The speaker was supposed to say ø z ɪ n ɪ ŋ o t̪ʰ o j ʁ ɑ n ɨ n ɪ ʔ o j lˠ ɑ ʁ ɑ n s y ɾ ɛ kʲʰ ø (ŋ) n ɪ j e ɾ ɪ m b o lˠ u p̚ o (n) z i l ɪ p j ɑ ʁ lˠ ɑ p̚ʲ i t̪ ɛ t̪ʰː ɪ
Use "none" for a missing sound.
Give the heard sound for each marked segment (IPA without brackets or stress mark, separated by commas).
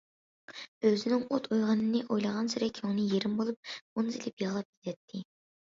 ŋ, n